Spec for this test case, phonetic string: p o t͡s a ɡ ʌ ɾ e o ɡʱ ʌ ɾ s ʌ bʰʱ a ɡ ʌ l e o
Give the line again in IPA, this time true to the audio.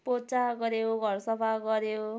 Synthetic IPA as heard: p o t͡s a ɡ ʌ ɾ e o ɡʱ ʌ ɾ s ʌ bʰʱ a ɡ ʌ ɾ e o